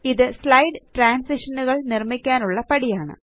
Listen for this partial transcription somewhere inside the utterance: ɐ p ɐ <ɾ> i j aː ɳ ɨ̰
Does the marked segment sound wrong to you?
yes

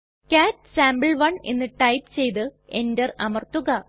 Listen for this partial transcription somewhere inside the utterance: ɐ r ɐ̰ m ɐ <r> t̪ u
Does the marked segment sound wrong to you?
no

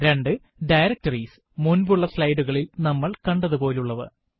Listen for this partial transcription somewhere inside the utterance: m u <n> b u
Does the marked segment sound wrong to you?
no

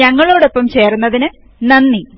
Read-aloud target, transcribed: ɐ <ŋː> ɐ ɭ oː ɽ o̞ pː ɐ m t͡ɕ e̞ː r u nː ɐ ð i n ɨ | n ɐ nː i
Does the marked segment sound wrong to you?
no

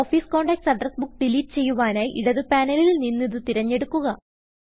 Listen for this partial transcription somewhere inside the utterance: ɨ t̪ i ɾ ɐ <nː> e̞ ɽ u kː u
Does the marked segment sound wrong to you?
yes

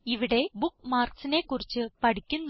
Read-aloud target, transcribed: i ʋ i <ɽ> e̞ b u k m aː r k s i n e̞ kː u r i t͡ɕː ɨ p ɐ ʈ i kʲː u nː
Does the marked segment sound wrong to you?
no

